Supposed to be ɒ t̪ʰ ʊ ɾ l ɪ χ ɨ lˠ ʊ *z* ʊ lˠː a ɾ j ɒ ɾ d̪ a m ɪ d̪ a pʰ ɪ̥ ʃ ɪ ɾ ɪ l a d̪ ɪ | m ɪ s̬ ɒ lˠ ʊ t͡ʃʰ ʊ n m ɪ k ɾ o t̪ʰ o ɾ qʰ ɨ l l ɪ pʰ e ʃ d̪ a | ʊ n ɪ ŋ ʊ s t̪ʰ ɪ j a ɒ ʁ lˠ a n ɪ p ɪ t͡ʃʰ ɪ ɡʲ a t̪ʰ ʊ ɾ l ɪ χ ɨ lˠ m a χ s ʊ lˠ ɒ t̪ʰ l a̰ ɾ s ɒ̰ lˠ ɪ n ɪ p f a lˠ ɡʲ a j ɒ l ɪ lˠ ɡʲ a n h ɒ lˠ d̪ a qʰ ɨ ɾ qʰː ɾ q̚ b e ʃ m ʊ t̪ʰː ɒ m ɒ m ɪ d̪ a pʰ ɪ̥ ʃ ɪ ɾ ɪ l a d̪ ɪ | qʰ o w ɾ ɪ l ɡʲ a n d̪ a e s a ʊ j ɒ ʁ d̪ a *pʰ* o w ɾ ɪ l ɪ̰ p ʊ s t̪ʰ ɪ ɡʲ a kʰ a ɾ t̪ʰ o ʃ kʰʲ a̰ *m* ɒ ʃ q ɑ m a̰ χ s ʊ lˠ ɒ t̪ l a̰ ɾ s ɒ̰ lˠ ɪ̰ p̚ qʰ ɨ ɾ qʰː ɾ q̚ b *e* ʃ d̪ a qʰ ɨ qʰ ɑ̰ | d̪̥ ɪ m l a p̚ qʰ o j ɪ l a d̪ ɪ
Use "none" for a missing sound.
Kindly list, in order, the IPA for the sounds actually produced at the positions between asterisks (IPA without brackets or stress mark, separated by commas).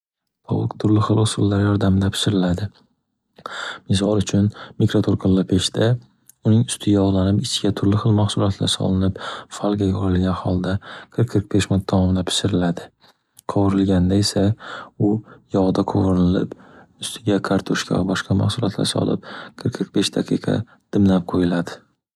s, qʰ, b, e